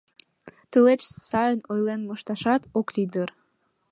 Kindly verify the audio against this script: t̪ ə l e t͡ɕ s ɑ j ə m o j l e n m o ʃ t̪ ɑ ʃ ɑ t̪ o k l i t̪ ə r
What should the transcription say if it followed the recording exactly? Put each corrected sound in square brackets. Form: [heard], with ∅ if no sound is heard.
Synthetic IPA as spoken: t̪ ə l e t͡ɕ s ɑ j ə [n] o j l e n m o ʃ t̪ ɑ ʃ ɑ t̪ o k l i [d̪] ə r